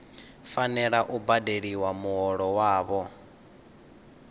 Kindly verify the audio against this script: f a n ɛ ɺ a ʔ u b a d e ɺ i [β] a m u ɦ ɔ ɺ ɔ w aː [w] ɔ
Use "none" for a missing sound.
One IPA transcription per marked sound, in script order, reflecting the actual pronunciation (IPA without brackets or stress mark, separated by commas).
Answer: w, β